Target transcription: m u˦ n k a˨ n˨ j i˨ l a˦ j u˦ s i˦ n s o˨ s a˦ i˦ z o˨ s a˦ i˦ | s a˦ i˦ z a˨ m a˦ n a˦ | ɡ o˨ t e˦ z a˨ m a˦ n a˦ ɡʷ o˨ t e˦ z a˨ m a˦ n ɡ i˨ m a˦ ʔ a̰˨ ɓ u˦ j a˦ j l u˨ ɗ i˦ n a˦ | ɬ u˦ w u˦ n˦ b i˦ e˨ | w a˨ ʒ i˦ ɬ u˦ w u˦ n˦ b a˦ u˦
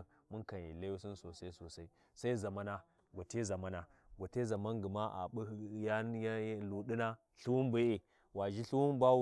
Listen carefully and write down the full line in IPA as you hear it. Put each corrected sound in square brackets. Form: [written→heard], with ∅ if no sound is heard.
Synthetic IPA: m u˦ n k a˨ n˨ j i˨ l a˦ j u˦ s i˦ n s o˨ s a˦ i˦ [z→s] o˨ s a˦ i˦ | s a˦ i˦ z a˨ m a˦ n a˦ | ɡ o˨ t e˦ z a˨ m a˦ n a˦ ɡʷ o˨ t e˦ z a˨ m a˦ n ɡ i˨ m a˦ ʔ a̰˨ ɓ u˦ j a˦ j l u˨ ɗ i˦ n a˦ | ɬ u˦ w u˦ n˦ b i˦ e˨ | w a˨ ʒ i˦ ɬ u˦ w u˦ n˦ b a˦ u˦